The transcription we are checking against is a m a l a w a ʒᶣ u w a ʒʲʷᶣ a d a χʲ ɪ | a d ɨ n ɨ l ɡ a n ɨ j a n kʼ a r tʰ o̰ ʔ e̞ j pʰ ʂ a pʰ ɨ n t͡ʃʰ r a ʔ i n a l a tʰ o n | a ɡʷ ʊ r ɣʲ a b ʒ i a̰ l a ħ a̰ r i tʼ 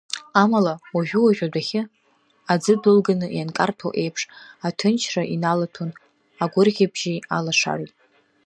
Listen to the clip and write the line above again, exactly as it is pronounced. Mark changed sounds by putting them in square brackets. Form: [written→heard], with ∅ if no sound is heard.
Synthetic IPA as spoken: a m a l a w a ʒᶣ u w a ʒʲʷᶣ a d a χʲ ɪ | a [d→d͡z] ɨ [n→d] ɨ l ɡ a n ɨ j a n kʼ a r tʰ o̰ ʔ e̞ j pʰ ʂ a [pʰ→tʰ] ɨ n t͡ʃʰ r a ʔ i n a l a tʰ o n | a ɡʷ ʊ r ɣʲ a b ʒ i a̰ l a [ħ→ʂ] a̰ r i tʼ